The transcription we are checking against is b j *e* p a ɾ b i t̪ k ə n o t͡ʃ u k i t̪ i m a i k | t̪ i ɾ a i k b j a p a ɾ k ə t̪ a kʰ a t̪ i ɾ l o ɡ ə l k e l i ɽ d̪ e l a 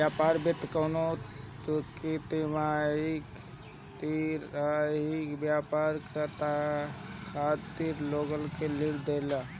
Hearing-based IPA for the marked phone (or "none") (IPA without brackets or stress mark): a